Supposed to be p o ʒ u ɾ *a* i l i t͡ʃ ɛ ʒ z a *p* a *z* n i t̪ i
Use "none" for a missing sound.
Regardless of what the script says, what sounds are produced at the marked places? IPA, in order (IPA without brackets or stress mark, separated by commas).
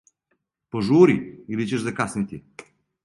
i, k, s